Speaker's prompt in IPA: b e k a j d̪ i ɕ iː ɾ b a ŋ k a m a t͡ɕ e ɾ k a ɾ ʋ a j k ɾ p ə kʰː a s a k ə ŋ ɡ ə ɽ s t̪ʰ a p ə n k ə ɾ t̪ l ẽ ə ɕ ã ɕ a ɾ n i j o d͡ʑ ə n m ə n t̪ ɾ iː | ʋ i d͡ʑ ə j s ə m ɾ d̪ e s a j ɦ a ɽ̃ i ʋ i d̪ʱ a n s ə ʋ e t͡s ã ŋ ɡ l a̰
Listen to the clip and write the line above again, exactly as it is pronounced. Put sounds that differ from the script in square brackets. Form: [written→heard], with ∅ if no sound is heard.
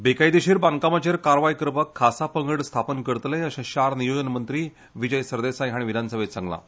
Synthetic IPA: b e k a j d̪ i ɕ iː ɾ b a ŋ k a m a t͡ɕ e ɾ k a ɾ ʋ a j k ɾ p ə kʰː a s a [k→p] ə ŋ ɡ ə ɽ s t̪ʰ a p ə n k ə ɾ t̪ l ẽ ə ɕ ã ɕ a ɾ n i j o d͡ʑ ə n m ə n t̪ ɾ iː | ʋ i d͡ʑ ə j s ə [m→∅] ɾ d̪ e s a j ɦ a ɽ̃ i ʋ i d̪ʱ a n s ə ʋ e t͡s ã ŋ ɡ l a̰